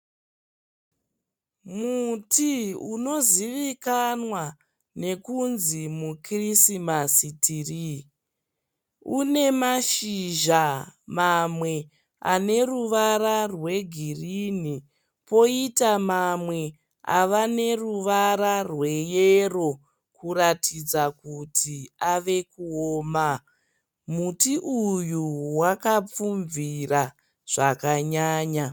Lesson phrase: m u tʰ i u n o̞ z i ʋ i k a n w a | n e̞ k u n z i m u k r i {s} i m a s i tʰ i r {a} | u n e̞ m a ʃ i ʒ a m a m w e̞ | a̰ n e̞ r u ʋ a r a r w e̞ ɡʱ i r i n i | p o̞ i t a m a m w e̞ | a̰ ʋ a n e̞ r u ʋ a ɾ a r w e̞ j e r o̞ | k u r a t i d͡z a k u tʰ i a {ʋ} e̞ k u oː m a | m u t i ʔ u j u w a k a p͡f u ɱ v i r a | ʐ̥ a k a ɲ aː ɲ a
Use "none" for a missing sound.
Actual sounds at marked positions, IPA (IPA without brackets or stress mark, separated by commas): s, i, ʋ